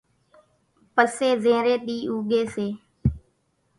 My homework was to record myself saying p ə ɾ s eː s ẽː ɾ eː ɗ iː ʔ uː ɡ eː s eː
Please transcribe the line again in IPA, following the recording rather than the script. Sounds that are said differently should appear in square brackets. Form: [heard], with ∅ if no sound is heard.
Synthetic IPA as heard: p ə [∅] s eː [z] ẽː ɾ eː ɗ iː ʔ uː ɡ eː s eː